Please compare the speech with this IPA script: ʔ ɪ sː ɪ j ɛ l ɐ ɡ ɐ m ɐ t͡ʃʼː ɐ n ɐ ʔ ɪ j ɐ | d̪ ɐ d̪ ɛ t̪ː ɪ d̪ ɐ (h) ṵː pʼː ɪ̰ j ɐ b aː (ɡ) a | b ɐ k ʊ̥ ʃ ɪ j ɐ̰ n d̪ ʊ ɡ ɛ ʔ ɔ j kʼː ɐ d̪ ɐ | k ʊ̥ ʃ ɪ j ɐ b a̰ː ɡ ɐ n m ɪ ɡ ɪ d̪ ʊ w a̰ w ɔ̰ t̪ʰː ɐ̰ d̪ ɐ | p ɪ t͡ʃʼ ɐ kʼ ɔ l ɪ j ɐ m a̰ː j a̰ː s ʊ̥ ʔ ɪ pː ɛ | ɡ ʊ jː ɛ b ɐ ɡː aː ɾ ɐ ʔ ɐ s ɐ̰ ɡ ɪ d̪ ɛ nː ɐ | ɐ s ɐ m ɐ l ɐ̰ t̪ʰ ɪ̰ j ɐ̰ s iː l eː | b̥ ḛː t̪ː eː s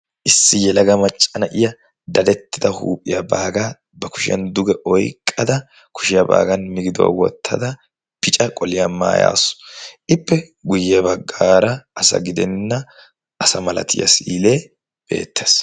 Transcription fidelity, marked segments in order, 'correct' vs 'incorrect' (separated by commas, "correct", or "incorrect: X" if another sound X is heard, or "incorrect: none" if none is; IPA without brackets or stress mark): correct, correct